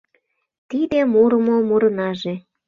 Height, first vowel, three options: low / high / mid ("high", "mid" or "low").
high